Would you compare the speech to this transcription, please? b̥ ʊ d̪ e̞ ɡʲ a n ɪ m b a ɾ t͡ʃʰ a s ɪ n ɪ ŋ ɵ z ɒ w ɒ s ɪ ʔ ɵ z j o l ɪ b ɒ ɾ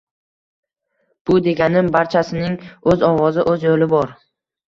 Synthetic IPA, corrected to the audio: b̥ ʊ d̪ e̞ ɡʲ a n ɪ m b a ɾ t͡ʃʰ a s ɪ n ɪ ŋ ɵ z ɒ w ɒ z ɪ ʔ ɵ z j o l ɪ b ɒ ɾ